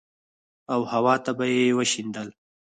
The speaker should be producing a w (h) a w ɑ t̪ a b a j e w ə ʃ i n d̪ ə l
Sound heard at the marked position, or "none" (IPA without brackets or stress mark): h